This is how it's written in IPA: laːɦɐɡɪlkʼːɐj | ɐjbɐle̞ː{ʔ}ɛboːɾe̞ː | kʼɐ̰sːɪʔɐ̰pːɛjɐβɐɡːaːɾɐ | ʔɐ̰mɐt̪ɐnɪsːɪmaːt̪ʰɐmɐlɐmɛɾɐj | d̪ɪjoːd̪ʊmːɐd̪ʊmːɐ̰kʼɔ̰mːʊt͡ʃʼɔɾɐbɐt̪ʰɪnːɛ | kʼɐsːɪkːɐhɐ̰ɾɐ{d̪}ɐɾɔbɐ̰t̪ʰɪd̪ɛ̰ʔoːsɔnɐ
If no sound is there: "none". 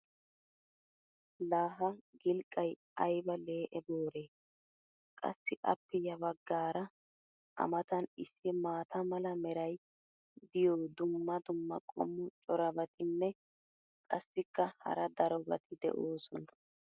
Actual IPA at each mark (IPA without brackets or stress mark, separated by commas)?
ʔ, d̪